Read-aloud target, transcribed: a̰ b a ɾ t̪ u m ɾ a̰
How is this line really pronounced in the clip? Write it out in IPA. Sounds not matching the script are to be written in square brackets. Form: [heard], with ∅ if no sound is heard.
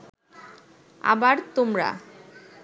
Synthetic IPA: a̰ b a ɾ t̪ [o] m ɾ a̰